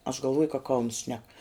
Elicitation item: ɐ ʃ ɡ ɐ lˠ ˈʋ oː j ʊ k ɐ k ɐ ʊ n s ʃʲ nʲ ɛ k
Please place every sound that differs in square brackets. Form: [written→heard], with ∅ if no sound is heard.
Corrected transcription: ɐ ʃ ɡ ɐ lˠ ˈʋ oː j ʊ k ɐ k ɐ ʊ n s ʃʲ nʲ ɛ k